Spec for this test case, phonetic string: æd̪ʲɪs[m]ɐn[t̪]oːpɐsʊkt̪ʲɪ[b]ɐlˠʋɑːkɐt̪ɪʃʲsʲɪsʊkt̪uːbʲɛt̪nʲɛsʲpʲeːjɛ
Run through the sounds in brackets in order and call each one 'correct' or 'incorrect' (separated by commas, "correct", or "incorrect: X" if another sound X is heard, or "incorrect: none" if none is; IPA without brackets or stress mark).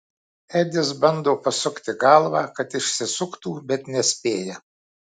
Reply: incorrect: b, incorrect: d̪, incorrect: ɡ